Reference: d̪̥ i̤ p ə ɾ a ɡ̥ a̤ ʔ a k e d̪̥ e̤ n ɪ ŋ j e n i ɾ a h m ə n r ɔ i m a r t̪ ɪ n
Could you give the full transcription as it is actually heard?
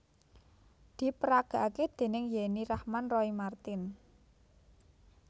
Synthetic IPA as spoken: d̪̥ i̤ p ə ɾ a ɡ̥ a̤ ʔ a k e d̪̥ e̤ n ɪ ŋ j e n i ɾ a h m a n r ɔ i m a r t̪ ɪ n